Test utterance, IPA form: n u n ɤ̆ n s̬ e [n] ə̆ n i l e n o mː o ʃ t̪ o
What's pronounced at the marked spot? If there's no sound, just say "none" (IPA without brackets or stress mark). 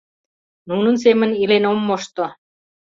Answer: m